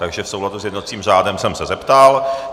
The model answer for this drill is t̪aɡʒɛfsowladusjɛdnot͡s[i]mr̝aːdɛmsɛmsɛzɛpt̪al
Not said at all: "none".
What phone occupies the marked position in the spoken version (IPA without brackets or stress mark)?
iː